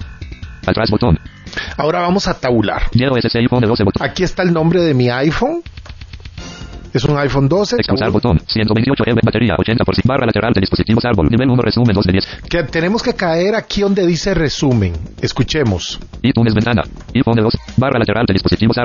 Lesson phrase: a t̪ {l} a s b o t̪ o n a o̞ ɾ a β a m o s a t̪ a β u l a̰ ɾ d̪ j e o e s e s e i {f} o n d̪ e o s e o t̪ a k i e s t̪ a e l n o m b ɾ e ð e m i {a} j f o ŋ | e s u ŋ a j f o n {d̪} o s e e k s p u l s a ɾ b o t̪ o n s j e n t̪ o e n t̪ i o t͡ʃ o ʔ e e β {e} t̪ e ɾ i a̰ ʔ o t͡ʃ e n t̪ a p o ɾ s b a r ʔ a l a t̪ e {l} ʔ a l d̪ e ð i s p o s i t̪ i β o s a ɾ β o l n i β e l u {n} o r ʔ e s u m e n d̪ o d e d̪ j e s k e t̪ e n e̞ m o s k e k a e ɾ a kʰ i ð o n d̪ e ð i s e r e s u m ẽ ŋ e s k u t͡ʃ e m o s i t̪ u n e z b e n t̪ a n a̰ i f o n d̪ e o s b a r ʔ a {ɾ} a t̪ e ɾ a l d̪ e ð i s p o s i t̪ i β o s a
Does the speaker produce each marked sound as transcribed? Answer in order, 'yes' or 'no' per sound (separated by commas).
no, yes, yes, yes, no, no, yes, no